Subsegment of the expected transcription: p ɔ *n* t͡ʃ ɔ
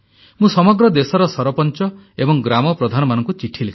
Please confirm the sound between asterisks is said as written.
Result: yes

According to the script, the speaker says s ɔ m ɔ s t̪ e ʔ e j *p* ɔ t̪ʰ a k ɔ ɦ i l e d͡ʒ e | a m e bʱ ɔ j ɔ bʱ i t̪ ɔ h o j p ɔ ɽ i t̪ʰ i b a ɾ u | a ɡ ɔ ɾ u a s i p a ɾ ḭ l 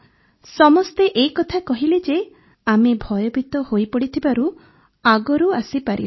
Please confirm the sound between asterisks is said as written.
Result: no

